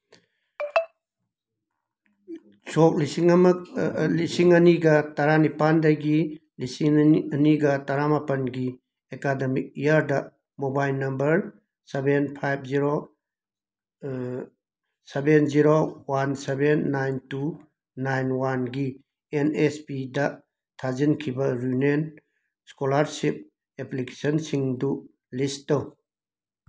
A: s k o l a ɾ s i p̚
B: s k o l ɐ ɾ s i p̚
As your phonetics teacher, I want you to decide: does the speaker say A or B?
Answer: A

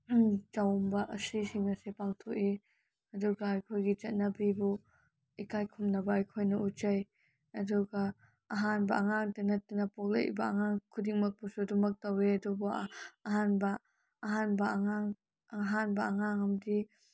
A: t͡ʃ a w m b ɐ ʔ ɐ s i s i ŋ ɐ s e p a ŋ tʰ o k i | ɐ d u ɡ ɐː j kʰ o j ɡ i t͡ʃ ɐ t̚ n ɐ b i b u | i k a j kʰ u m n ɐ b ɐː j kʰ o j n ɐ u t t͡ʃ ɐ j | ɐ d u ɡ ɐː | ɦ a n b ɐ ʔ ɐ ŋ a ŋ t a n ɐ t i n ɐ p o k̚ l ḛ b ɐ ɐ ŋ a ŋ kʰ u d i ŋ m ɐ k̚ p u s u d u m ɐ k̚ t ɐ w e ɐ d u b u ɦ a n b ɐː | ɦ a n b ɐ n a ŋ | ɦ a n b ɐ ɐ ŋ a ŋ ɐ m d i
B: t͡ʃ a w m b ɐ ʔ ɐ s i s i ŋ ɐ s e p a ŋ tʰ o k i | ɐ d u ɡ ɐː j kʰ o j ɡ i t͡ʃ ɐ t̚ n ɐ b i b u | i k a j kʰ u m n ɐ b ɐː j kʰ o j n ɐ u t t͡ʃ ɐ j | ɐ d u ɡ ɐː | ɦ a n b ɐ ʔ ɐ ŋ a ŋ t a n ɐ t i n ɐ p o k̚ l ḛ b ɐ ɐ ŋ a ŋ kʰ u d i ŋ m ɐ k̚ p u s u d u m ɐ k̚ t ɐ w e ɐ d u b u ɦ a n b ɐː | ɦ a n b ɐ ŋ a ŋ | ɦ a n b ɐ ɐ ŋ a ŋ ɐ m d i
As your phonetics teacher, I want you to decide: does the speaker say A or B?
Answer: B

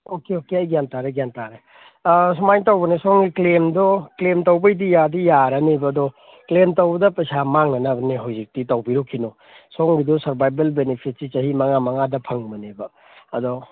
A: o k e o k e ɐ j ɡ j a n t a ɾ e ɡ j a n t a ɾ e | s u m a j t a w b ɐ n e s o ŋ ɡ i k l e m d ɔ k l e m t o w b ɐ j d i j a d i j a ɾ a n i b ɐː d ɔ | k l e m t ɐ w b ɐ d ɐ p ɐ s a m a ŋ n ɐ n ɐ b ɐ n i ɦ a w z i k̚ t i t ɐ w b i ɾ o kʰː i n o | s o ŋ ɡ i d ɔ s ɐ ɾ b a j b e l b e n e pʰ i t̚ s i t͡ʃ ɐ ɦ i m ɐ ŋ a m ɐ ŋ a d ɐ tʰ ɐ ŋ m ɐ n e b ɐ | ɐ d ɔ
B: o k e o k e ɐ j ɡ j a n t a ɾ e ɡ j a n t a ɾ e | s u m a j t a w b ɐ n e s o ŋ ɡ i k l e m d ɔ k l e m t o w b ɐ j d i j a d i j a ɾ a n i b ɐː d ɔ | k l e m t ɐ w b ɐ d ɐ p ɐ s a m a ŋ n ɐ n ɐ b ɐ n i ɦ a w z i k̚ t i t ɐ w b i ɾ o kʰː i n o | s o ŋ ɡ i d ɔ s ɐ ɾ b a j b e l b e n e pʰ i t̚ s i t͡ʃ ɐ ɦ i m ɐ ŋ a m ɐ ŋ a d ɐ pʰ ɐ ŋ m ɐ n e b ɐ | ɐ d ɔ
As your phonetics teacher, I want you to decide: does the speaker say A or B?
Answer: B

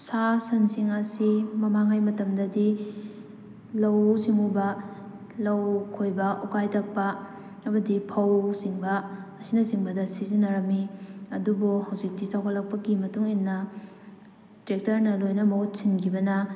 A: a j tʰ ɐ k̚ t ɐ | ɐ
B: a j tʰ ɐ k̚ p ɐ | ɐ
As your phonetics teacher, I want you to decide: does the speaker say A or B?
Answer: B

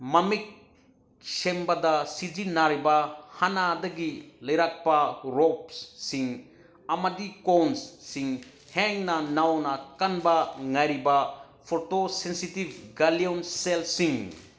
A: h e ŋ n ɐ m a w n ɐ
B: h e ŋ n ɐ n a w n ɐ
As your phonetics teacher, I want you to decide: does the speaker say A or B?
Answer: B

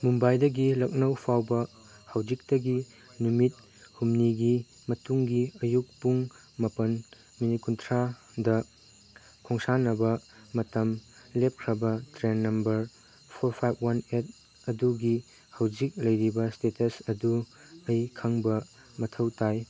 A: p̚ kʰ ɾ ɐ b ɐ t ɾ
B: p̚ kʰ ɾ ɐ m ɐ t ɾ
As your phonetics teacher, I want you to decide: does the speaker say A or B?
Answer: A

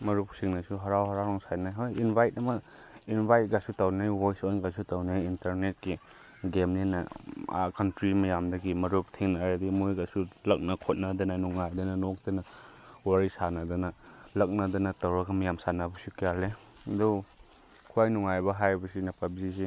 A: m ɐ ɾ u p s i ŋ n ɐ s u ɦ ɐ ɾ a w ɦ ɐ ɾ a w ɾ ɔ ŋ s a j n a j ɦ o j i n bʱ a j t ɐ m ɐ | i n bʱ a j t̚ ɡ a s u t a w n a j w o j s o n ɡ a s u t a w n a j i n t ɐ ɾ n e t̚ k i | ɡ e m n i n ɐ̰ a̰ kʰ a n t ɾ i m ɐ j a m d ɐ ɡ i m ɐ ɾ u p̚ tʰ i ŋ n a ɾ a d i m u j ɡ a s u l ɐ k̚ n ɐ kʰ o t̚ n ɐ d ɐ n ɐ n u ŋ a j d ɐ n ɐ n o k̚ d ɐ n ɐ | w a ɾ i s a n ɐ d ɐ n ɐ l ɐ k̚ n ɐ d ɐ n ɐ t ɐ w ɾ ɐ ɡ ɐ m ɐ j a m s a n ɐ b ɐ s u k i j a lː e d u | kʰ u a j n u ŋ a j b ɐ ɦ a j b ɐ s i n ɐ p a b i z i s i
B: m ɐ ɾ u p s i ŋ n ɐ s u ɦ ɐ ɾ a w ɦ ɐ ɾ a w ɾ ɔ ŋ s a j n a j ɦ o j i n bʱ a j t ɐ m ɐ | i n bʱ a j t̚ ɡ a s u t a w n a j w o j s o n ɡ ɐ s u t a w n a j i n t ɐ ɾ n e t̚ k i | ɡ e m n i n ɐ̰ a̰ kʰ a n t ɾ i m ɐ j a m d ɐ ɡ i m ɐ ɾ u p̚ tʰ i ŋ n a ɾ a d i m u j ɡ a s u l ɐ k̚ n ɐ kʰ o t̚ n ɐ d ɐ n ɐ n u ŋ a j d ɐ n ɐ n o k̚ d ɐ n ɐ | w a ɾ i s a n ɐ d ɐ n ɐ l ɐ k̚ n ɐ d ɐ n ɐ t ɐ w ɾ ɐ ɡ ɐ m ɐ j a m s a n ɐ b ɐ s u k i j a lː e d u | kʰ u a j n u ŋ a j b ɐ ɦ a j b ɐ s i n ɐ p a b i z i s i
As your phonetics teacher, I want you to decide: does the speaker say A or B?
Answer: A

